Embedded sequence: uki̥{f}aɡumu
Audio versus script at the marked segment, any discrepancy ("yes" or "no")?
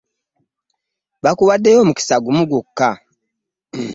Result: yes